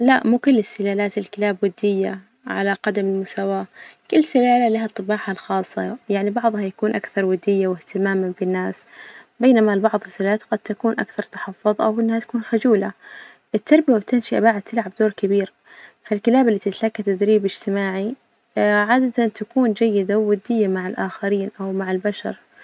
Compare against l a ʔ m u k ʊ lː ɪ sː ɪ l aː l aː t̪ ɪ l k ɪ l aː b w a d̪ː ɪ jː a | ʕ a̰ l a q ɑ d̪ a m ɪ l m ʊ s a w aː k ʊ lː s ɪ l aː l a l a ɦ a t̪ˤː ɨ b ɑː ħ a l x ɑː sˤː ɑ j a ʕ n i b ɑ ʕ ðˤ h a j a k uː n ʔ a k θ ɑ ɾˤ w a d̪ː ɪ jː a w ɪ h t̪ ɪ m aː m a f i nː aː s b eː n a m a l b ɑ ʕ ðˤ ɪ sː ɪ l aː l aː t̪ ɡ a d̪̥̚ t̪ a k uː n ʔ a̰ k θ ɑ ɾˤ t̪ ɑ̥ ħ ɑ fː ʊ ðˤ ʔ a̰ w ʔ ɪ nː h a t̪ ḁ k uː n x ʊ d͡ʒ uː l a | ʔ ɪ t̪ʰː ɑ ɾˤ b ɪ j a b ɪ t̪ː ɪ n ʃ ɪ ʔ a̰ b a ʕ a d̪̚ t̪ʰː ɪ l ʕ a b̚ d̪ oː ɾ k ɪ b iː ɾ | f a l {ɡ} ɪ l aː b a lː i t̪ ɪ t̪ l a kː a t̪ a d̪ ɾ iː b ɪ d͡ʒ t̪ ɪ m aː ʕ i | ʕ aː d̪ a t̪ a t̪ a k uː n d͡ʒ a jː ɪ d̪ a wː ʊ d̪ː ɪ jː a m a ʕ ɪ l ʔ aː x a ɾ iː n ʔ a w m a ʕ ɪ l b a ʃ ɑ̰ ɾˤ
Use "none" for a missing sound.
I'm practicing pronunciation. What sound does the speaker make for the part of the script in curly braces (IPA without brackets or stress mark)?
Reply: k